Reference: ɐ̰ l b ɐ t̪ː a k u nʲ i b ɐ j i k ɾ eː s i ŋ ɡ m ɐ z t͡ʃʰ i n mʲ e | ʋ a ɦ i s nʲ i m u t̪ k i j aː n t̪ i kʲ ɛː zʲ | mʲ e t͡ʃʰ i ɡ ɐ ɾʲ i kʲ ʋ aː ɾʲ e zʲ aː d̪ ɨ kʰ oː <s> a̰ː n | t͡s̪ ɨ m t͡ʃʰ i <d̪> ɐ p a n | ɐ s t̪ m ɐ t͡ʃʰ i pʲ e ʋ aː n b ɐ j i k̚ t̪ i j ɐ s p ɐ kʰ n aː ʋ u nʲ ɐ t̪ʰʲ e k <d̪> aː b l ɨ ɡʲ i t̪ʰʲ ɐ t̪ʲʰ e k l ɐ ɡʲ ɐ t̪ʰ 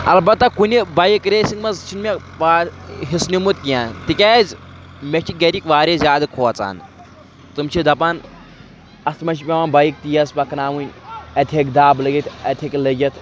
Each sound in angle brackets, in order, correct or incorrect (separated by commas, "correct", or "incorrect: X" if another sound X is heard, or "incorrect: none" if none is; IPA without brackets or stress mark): incorrect: t͡s, correct, correct